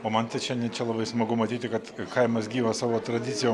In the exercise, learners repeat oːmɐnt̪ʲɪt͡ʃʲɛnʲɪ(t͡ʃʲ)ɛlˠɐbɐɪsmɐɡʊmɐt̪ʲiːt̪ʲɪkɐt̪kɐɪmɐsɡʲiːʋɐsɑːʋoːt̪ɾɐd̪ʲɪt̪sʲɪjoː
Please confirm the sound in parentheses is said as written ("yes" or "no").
yes